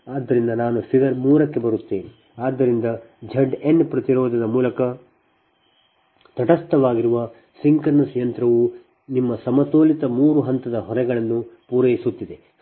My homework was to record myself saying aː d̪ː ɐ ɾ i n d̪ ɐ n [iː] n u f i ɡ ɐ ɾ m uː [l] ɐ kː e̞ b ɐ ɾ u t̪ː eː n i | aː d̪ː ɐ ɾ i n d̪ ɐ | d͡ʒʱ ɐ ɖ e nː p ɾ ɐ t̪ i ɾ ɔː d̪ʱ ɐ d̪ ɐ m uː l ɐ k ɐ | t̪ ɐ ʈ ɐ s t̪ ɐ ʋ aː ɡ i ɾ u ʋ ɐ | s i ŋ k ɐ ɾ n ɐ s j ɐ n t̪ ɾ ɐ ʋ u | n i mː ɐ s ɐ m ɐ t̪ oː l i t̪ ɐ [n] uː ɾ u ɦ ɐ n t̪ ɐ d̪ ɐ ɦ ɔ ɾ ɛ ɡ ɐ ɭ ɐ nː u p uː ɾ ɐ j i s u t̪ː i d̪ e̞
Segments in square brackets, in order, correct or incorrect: incorrect: aː, incorrect: ɾ, incorrect: m

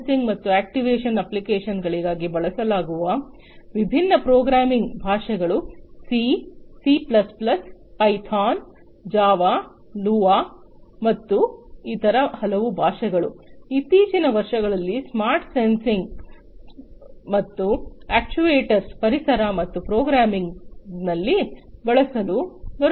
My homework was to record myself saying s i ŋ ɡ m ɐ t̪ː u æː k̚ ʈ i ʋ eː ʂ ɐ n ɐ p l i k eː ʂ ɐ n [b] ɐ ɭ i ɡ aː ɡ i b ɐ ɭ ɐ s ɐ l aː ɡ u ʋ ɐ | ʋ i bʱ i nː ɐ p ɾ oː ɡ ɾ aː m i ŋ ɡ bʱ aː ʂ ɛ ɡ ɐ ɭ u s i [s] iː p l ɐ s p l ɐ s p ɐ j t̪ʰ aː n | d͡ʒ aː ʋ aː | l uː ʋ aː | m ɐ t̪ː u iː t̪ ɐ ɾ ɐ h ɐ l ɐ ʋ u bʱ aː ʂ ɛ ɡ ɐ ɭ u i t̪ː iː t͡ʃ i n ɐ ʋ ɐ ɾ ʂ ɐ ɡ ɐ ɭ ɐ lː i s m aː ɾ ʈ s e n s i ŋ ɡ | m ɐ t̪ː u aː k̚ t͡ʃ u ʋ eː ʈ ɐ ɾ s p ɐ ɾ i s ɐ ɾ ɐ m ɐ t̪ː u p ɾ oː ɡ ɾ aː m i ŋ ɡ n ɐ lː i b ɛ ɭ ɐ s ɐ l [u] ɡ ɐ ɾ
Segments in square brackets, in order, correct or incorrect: incorrect: ɡ, correct, correct

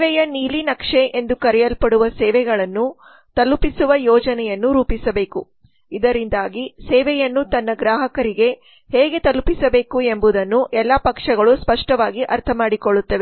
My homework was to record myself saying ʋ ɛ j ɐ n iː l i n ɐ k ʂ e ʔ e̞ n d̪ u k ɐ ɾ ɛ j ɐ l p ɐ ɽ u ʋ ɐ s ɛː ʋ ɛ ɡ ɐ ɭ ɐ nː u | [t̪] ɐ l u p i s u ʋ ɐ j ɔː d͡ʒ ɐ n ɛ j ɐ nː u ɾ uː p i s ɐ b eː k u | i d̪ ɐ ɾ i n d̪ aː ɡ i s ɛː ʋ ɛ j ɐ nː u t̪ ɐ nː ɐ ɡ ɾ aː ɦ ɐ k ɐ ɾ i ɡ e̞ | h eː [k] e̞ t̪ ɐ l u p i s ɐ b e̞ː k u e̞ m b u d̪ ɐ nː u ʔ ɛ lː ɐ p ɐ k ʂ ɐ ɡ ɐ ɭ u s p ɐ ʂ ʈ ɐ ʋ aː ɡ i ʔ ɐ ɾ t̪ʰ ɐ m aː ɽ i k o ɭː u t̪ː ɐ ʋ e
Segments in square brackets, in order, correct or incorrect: correct, incorrect: ɡ

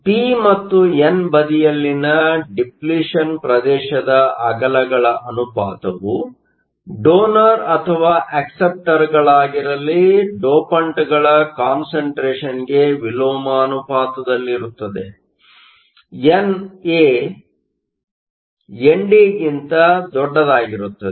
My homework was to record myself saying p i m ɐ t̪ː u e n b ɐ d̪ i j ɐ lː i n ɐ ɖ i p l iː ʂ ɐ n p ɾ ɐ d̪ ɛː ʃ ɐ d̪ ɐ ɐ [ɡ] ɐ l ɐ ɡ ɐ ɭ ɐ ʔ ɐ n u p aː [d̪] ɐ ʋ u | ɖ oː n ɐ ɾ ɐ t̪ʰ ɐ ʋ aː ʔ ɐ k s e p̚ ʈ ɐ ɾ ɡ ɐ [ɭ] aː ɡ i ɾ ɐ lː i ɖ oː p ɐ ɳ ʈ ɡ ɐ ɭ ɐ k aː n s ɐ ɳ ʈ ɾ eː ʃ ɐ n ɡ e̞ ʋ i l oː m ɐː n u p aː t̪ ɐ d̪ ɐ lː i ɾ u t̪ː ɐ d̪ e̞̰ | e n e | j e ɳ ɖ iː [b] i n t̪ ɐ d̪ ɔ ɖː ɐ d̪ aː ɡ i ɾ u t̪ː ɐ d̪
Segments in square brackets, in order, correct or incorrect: correct, incorrect: t̪, correct, incorrect: ɡ

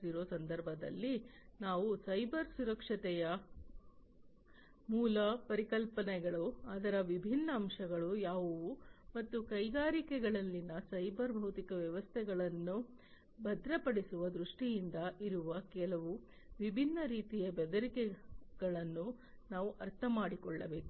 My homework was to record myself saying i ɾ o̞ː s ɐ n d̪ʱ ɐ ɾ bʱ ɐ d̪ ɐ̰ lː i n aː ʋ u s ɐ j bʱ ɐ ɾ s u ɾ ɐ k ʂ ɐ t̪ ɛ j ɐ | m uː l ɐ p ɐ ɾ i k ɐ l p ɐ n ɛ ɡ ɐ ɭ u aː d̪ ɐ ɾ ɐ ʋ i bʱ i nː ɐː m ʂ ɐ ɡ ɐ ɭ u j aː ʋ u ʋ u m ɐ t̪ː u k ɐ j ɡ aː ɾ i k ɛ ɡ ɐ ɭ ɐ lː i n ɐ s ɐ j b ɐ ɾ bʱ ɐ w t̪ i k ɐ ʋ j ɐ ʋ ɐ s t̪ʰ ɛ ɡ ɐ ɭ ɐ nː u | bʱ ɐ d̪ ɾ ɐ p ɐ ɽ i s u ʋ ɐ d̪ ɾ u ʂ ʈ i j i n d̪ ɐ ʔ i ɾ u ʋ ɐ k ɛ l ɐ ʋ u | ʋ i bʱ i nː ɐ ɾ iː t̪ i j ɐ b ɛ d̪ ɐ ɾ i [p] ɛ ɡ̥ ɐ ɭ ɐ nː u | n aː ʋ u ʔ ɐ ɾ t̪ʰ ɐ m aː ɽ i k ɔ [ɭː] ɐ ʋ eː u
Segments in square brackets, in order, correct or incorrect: incorrect: k, correct

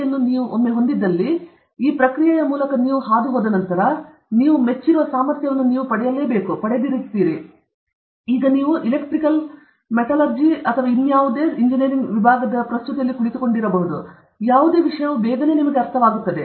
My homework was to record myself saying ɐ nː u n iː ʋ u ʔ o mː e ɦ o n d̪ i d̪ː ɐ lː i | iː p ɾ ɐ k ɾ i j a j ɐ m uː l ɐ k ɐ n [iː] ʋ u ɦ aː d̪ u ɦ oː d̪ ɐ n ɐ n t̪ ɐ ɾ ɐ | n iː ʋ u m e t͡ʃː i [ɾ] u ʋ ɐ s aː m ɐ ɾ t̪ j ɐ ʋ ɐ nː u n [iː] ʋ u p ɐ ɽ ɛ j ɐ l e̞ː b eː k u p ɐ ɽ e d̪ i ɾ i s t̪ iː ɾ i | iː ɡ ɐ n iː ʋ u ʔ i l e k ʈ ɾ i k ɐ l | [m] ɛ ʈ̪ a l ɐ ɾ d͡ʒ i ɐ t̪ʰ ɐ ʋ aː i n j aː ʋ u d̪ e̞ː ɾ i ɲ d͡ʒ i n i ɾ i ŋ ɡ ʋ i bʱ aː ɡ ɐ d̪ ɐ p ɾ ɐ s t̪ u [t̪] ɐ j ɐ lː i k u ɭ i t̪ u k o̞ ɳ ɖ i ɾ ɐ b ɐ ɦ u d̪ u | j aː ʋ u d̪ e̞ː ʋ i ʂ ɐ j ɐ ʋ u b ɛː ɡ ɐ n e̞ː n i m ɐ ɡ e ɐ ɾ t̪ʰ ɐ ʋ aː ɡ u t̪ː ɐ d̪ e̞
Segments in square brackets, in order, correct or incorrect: correct, correct, correct, correct, correct

